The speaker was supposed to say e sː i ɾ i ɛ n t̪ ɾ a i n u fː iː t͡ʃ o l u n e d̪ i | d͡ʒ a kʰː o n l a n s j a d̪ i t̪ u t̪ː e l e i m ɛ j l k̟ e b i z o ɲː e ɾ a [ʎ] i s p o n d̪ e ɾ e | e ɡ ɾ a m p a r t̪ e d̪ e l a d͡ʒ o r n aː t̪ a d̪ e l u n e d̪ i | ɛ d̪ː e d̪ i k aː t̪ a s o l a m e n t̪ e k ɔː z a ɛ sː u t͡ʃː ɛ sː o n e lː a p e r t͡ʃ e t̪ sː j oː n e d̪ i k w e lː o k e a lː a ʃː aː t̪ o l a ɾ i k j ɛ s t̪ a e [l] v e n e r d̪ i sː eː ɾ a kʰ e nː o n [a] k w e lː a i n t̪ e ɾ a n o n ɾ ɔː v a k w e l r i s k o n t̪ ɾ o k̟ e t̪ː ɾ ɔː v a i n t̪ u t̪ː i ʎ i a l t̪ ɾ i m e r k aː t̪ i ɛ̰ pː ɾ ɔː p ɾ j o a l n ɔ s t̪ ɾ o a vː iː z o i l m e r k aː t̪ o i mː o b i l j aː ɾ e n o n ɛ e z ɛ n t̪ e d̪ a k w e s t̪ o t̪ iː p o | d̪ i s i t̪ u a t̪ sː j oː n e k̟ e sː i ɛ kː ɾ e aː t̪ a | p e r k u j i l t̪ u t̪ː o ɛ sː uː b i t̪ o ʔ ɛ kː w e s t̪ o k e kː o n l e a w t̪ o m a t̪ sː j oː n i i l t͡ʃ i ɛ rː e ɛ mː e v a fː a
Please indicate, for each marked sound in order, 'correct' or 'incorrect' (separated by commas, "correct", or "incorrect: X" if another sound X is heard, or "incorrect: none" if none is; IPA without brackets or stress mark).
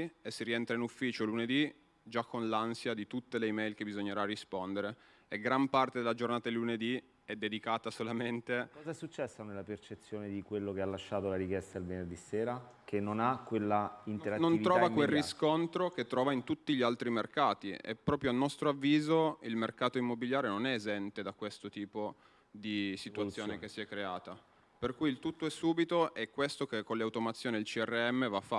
incorrect: r, correct, correct